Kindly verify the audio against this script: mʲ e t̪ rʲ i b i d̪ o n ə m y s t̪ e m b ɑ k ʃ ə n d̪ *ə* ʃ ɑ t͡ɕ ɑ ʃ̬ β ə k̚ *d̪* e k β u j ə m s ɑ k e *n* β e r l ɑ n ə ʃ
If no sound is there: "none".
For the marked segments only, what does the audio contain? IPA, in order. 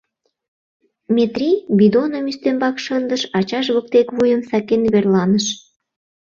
ə, t̪, n

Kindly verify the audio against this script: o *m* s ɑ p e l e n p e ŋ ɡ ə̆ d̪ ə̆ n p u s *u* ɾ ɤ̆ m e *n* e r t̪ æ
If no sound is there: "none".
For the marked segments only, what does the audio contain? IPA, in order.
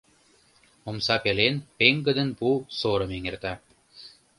m, o, ŋ

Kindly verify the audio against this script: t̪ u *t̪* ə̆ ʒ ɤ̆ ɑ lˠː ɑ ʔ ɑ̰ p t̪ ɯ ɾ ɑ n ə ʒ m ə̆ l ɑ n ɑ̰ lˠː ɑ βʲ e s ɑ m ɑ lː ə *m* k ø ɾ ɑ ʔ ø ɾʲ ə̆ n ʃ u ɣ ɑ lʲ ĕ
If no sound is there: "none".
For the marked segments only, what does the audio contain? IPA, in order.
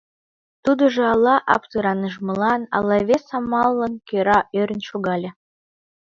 d̪, n

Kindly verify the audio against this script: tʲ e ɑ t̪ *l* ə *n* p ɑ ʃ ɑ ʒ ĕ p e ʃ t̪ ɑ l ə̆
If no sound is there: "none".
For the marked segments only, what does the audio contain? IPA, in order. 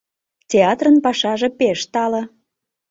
r, n

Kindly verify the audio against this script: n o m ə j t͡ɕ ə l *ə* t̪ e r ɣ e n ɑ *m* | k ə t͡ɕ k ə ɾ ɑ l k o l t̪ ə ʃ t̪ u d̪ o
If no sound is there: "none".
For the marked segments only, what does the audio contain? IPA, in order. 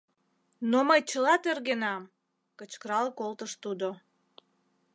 ɑ, m

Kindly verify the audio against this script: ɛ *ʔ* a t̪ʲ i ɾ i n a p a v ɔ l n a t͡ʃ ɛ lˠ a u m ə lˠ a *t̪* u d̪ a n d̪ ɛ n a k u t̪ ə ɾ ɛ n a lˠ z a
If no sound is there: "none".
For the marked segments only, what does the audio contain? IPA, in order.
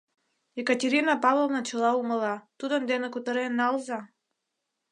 k, t̪

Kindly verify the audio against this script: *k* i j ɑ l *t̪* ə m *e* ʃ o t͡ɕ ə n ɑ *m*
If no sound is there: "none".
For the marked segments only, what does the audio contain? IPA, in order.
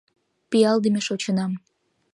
p, d̪, e, m

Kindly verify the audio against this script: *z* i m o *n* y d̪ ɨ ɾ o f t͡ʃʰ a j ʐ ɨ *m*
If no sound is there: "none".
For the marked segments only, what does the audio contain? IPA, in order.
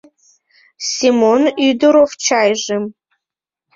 s, n, m

